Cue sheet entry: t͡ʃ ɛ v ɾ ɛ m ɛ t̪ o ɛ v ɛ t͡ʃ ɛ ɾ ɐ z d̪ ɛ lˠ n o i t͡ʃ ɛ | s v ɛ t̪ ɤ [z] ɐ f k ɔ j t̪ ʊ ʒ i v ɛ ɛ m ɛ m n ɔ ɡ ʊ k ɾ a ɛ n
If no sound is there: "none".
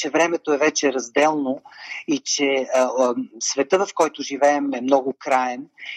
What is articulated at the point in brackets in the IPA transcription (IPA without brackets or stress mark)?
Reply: v